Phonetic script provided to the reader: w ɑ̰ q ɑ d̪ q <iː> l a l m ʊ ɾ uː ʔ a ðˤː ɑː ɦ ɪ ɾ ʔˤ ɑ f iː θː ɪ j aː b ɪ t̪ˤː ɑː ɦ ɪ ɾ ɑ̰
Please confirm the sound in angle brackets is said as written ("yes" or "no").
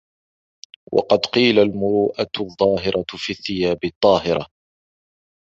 yes